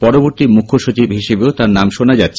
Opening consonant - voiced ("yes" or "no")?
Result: no